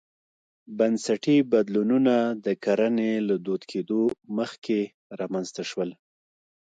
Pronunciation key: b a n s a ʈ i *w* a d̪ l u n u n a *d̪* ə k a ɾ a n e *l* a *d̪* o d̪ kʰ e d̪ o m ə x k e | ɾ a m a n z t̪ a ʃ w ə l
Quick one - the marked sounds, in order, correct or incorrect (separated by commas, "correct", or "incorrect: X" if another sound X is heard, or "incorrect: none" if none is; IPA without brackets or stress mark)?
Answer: incorrect: b, correct, correct, correct